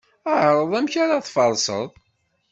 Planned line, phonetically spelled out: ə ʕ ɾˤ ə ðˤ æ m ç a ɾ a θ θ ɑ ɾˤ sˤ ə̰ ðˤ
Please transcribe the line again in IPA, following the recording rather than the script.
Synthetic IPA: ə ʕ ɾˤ ə ðˤ æ m ç a ɾ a θ f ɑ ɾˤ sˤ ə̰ ðˤ